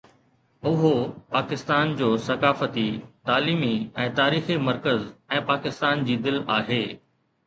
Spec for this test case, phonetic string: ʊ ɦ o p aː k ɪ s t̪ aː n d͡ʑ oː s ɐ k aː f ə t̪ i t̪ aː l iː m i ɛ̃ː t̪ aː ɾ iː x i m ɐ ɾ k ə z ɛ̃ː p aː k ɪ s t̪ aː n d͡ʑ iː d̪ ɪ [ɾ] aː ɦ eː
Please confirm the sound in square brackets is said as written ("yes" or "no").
no